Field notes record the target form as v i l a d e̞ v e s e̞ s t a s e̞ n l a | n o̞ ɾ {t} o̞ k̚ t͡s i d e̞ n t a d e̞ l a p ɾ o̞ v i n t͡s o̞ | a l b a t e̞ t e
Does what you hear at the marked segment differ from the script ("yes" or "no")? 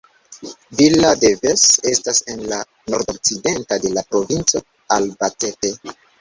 yes